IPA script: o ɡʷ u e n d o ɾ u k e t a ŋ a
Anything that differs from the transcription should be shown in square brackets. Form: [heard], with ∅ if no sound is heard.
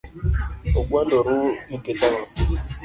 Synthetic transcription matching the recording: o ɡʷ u [a] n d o ɾ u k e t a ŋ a